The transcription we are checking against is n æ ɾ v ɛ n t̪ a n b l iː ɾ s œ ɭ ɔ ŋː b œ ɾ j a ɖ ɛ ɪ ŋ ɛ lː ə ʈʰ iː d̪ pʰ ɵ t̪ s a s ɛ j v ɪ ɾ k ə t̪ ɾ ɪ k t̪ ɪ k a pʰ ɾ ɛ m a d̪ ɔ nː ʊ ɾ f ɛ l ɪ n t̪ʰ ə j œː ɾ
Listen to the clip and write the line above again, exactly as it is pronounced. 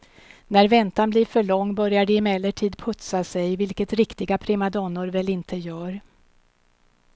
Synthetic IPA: n æ ɾ v ɛ n t̪ a n b l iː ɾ f œ ɭ ɔ ŋː b œ ɾ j a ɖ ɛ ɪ m ɛ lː ə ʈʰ iː d̪ pʰ ɵ t̪ s a s ɛ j v ɪ l k ə t̪ ɾ ɪ k t̪ ɪ ɡ a pʰ ɾ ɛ m a d̪ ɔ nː ʊ ɾ v ɛ l ɪ n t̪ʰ ə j œː ɾ